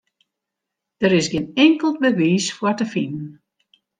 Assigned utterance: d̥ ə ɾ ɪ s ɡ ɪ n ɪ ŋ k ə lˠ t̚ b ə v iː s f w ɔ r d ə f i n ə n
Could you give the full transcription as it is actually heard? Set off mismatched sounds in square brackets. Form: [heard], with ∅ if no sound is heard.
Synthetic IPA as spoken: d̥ ə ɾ ɪ s ɡ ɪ n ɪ ŋ k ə lˠ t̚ b ə [ʋ] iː s f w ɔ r [t] ə f i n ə n